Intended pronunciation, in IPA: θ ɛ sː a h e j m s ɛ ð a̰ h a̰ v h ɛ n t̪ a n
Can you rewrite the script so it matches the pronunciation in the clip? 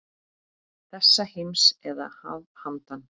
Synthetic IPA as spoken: θ ɛ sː a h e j m s ɛ ð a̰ h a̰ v h a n t̪ a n